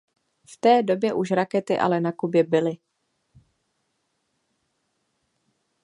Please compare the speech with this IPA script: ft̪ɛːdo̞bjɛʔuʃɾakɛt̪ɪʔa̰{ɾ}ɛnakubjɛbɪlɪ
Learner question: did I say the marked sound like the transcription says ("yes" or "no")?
no